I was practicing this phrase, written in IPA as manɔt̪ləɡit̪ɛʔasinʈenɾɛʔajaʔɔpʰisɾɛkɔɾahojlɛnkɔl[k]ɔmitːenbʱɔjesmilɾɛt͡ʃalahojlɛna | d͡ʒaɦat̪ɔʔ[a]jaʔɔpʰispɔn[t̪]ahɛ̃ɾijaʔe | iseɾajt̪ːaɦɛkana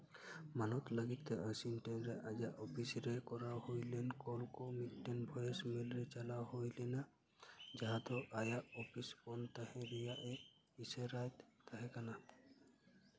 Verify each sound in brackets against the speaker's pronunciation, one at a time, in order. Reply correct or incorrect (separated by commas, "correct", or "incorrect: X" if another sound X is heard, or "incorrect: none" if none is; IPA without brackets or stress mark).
correct, correct, correct